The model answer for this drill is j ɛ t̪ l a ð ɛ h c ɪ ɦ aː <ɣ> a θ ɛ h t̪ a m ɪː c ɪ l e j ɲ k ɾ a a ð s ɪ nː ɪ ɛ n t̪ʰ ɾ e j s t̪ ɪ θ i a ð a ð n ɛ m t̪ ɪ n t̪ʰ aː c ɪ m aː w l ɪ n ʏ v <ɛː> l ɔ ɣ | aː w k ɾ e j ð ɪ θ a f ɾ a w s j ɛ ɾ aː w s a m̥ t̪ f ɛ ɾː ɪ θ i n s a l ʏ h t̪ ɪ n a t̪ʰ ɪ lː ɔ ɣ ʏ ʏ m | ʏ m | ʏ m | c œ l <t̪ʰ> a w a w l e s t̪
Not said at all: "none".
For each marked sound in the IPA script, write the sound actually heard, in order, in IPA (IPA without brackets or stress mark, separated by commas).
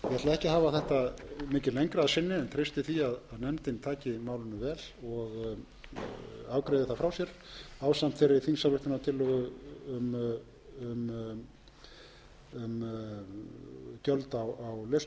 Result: v, ɛː, t̪